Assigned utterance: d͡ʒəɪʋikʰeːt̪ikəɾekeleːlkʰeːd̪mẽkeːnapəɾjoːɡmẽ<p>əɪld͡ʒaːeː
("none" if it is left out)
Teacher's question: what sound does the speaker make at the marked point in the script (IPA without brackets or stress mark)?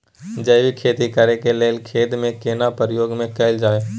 k